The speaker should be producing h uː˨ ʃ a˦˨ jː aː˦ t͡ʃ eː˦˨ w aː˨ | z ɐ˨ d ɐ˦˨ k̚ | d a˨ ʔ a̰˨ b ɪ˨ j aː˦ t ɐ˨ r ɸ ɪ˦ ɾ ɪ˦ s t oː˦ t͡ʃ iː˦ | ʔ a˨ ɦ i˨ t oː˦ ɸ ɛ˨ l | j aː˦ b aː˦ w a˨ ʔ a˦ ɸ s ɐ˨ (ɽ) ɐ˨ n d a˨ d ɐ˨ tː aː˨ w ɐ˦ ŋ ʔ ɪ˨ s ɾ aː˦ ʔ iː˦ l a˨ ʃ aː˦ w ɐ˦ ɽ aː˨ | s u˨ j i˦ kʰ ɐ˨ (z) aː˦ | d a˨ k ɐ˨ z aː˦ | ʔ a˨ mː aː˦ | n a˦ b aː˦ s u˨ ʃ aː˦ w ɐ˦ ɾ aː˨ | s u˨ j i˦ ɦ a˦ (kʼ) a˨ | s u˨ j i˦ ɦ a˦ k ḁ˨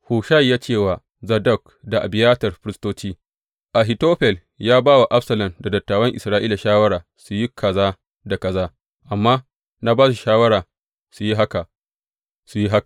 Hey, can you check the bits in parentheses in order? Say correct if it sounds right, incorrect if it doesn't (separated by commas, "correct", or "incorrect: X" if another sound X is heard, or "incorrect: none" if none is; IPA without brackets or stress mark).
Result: incorrect: l, correct, incorrect: k